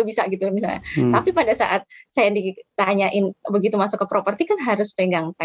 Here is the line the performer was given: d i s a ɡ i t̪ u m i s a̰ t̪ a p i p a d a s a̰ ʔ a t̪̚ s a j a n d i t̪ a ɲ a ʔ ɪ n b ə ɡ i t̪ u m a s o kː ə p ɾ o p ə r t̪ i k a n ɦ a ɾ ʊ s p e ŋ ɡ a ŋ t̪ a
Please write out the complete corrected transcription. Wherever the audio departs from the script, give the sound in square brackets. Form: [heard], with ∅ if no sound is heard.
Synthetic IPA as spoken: [b] i s a ɡ i t̪ u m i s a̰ t̪ a p i p a d a s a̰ ʔ a t̪̚ s a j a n d i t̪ a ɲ a ʔ ɪ n b ə ɡ i t̪ u m a s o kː ə p ɾ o p ə r t̪ i k a n ɦ a ɾ ʊ s p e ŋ ɡ a ŋ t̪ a